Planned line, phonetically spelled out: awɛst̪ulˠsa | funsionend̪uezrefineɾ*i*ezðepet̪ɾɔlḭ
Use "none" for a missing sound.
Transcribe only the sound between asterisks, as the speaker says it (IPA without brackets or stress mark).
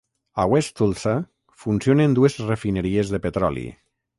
i